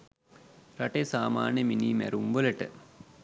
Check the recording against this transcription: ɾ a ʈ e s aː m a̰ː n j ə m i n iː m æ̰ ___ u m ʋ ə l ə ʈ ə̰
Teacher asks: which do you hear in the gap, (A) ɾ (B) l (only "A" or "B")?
A